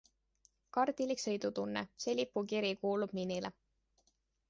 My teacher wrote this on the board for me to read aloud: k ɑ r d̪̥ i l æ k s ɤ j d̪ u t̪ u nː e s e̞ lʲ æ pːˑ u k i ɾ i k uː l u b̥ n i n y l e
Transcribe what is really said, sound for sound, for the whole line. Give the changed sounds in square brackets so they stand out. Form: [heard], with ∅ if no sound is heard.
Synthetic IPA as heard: k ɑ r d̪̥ i l [i] k s ɤ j d̪ u t̪ u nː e s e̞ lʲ [i] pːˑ u k i ɾ i k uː l u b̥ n i n [i] l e